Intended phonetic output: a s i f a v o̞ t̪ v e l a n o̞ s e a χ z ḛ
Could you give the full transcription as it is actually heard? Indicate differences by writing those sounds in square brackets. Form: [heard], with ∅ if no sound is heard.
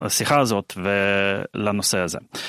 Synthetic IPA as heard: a s i [χ] a [z] o̞ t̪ v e l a n o̞ s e a [∅] z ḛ